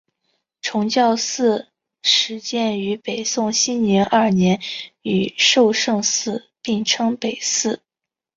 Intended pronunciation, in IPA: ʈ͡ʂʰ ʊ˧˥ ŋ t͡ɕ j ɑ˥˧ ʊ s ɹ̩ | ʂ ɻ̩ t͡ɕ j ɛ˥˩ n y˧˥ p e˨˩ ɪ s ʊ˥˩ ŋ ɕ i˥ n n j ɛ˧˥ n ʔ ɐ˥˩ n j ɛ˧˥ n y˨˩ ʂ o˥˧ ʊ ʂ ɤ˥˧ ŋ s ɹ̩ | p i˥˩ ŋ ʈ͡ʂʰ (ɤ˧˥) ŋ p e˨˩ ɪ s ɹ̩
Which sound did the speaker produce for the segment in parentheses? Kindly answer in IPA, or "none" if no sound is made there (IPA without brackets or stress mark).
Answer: ɤ˥